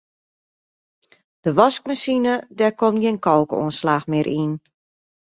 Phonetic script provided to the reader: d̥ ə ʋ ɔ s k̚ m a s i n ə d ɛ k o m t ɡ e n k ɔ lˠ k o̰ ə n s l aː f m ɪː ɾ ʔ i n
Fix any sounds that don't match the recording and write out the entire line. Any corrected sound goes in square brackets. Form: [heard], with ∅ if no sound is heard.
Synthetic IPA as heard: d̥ ə ʋ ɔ s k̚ m a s i n ə d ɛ k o m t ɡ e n k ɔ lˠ k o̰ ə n s l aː [x] m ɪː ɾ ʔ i n